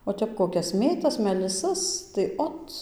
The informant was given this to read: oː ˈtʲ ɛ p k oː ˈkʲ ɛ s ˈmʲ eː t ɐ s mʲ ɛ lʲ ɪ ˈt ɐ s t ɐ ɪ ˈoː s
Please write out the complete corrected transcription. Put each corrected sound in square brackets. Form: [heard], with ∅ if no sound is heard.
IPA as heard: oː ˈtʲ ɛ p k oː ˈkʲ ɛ s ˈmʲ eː t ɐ s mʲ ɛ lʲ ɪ [ˈs] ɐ s t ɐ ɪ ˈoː [t]